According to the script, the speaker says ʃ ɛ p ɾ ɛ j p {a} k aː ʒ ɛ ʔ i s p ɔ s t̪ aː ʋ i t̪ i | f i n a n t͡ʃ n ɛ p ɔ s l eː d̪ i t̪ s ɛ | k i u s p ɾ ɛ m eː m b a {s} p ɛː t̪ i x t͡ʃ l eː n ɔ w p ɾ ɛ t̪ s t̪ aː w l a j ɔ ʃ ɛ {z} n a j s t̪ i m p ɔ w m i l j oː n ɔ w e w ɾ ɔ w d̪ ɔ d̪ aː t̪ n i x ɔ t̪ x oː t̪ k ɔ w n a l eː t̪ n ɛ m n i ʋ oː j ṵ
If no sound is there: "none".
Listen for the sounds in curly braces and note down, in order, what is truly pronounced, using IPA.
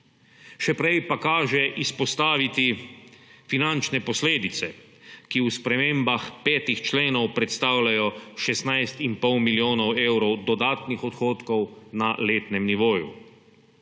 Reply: a, x, s

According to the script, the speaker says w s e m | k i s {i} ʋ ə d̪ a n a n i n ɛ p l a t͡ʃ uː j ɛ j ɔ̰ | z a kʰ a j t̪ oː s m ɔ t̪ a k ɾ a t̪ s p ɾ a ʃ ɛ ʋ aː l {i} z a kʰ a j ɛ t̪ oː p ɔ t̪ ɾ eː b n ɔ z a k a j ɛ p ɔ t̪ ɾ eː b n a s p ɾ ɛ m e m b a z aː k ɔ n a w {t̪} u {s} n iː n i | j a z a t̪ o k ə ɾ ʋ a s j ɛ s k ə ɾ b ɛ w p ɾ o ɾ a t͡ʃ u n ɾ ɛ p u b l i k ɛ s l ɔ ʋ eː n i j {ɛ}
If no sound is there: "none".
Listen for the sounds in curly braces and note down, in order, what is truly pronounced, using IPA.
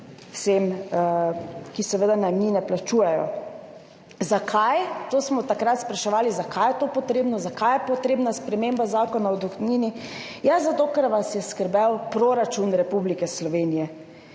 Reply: ɛ, i, d̪, x, ɛ

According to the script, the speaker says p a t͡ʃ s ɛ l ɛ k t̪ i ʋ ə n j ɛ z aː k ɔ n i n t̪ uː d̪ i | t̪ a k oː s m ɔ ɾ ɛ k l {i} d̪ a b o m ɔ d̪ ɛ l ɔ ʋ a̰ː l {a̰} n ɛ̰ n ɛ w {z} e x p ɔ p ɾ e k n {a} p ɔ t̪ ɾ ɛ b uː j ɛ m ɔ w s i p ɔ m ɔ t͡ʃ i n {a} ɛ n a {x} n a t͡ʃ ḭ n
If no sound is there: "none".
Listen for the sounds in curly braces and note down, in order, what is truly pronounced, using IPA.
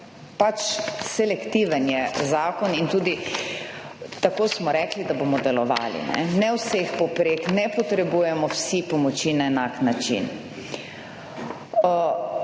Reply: i, ḭ, s, ɛ, a, k

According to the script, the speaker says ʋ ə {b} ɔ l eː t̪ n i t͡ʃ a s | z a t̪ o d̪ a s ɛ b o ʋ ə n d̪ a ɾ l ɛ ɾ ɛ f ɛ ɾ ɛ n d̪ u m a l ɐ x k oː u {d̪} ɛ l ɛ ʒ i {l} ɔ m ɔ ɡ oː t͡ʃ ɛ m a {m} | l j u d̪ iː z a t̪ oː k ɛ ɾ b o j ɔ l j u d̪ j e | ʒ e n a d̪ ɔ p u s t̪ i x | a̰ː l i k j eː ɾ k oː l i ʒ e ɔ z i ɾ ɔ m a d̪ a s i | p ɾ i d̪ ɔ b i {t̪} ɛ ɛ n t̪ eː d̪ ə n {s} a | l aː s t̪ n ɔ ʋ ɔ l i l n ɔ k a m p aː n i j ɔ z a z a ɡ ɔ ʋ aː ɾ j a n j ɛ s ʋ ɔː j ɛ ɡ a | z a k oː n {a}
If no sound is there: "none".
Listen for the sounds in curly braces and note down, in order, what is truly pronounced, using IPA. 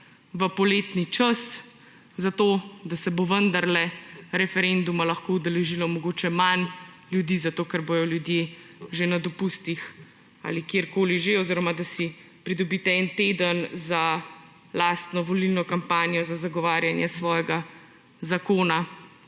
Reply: p, d̪, l, n, t̪, z, a

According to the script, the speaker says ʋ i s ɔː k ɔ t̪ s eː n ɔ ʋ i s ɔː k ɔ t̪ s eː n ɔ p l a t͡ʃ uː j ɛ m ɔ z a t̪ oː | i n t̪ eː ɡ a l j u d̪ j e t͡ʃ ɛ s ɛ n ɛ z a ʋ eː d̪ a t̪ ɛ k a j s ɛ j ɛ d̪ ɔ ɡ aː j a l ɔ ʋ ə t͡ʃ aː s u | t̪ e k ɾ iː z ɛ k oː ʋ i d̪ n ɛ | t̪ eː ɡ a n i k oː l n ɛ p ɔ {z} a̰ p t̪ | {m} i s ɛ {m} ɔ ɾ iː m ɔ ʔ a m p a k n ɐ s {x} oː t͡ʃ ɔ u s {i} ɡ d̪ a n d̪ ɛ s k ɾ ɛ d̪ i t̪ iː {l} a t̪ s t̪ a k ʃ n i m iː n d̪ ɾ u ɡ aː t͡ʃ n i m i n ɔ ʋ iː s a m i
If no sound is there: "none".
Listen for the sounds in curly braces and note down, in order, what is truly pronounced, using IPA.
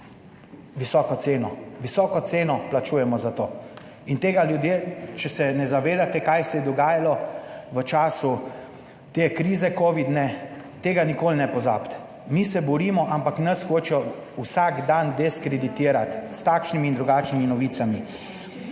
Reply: z, m, b, x, a, ɾ

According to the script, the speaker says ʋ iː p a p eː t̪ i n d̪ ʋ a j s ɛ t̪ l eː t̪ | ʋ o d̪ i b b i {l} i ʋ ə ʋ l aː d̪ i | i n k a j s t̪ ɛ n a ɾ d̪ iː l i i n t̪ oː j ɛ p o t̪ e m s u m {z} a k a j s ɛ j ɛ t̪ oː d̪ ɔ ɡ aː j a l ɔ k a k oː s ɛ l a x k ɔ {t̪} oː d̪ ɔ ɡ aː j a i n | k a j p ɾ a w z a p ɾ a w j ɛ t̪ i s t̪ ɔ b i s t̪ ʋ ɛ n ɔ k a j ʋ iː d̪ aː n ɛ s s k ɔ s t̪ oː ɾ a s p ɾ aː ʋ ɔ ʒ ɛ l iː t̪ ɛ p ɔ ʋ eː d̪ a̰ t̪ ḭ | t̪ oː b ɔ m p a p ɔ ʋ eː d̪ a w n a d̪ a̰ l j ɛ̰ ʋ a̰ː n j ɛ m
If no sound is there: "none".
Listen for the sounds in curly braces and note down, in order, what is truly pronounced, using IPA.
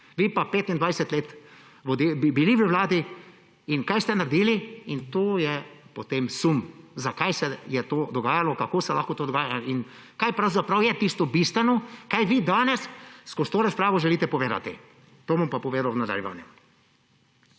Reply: l, z, t̪

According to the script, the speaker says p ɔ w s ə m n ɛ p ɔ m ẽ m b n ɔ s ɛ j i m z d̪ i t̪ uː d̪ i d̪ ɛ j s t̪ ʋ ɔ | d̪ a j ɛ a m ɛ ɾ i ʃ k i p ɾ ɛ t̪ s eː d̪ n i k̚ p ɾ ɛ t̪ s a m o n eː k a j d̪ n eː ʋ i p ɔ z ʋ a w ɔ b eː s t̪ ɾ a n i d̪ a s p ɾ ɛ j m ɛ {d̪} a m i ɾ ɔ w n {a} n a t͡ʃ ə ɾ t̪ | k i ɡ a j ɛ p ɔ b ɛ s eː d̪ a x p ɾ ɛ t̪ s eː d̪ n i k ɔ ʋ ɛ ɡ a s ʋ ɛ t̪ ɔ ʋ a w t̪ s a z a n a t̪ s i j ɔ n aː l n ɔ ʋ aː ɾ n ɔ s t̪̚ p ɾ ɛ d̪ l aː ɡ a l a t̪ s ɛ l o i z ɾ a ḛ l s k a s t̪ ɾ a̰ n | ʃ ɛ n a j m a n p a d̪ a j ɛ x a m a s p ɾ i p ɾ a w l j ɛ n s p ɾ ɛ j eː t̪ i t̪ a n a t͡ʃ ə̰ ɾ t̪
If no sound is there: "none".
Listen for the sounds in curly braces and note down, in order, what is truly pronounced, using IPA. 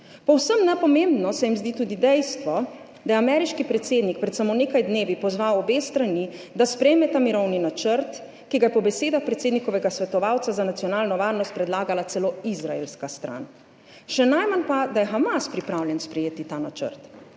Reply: t̪, i

